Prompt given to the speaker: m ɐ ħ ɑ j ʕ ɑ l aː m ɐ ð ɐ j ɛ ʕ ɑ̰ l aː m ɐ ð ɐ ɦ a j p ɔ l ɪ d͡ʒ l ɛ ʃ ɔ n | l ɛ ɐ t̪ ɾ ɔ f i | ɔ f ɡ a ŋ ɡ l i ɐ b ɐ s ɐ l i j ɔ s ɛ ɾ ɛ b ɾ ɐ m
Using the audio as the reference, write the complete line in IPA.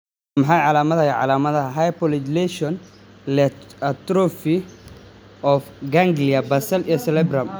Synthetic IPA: m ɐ ħ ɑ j ʕ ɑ l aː m ɐ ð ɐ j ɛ ʕ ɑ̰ l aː m ɐ ð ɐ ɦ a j p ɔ l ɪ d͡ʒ l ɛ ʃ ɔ n | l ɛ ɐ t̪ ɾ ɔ f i | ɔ f ɡ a ŋ ɡ l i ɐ b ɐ s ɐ l i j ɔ s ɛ l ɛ b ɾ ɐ m

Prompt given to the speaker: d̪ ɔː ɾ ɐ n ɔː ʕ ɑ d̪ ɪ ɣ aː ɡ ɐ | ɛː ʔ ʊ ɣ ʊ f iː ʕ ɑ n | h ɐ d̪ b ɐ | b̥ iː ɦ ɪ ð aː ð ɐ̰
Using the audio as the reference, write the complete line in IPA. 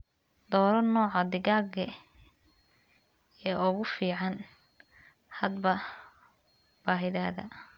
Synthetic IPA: d̪ ɔː ɾ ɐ n ɔː ʕ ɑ d̪ ɪ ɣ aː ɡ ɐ | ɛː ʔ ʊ ɣ ʊ f iː ʕ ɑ n | h ɐ d̪ b ɐ | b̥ aː ɦ ɪ ð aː ð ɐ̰

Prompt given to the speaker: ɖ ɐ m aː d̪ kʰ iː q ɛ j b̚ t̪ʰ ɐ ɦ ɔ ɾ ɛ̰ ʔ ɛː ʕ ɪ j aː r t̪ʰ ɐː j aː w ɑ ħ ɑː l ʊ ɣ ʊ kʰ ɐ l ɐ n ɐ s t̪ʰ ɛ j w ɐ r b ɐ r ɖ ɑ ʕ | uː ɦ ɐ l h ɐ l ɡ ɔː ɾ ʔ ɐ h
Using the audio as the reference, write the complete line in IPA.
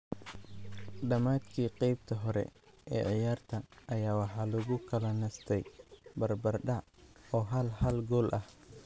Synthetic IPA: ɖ ɐ m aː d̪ kʰ iː q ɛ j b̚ t̪ʰ ɐ ɦ ɔ ɾ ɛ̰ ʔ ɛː ʕ ɪ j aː r t̪ʰ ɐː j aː w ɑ ħ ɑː l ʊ ɣ ʊ kʰ ɐ l ɐ n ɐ s t̪ʰ ɛ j b ɐ r b ɐ r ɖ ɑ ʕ | ɔː ɦ ɐ l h ɐ l ɡ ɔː l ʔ ɐ h

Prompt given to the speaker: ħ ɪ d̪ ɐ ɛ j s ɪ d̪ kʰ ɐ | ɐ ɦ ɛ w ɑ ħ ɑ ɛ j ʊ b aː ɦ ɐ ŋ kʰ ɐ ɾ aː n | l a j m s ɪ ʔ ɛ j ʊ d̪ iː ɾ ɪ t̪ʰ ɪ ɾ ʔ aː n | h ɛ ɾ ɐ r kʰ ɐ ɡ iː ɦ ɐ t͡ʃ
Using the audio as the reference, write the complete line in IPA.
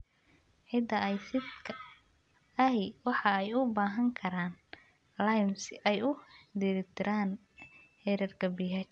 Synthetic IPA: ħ ɪ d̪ ɐ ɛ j s ɪ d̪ kʰ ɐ | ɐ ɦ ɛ w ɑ ħ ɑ ɛ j ʊ b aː ɦ ɐ ŋ kʰ ɐ ɾ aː n | l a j m s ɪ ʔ ɛ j ʊ d̪ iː ɾ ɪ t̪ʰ ɪ ɾ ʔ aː n | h ɛ ɾ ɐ r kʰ ɐ b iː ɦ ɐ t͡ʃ

